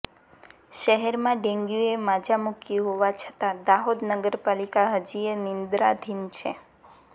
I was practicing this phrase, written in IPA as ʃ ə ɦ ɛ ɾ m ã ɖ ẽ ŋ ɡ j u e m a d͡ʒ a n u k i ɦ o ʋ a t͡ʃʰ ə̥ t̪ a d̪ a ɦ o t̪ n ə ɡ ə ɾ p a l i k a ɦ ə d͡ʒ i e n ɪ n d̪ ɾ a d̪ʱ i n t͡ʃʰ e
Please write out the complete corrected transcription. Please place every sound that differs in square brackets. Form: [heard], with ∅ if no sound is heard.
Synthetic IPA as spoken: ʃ ə ɦ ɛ ɾ m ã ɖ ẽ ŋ ɡ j u e m a d͡ʒ a [m] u k i ɦ o ʋ a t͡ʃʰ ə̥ t̪ a d̪ a ɦ o [d̪] n ə ɡ ə ɾ p a l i k a ɦ ə d͡ʒ i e n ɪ n d̪ ɾ a d̪ʱ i n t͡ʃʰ e